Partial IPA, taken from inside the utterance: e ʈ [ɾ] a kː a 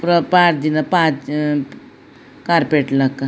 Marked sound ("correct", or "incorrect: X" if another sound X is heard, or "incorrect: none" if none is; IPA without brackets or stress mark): incorrect: l